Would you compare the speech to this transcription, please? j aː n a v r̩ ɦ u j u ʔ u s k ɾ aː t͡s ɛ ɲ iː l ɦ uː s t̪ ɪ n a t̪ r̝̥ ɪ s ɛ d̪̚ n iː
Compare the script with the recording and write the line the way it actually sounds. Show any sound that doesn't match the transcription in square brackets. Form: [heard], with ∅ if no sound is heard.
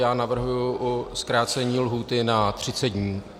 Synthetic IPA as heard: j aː n a v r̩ ɦ u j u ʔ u s k ɾ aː t͡s ɛ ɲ iː l ɦ uː [∅] t̪ ɪ n a t̪ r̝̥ ɪ [t͡s] ɛ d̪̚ [ɲ] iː